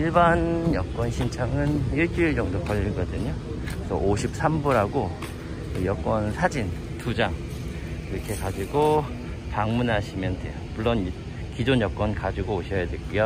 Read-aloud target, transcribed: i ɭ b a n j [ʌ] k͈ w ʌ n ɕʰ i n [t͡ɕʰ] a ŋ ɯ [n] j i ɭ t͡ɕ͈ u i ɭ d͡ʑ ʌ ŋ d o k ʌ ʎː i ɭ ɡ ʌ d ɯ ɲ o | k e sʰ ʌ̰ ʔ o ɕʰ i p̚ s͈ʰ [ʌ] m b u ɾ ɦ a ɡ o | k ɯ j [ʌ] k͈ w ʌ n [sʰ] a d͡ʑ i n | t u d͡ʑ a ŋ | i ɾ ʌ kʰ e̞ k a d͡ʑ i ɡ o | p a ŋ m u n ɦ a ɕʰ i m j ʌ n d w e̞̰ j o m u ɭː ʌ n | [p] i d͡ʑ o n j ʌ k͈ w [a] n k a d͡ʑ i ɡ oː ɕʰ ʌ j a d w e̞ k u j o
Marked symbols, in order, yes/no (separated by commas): yes, yes, yes, no, yes, yes, no, no